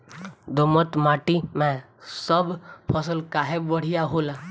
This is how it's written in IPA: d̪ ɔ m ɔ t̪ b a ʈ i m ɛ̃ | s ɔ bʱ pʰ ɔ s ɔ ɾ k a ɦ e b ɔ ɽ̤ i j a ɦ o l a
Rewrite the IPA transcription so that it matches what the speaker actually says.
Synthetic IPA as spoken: d̪ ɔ m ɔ t̪ m a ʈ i m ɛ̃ | s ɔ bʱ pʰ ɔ s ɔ l k a ɦ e b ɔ ɽ̤ i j a ɦ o l a